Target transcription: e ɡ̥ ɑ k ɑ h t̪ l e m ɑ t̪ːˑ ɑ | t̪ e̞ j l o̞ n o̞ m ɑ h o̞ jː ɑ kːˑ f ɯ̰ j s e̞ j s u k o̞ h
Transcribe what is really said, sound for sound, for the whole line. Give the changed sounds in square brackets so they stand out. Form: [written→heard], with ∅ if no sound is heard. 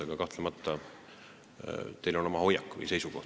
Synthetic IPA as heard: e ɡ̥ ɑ k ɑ h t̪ l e m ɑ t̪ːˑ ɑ | t̪ e̞ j l o̞ n o̞ m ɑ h o̞ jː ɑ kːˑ [f→v] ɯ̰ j s e̞ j s u k o̞ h